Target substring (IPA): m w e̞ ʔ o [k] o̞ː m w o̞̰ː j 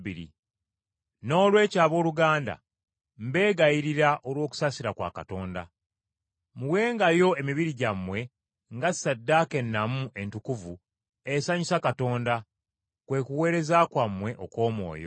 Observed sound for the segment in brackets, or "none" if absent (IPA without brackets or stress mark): k